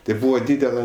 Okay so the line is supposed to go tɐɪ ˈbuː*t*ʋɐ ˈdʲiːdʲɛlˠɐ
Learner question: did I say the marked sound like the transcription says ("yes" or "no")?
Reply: no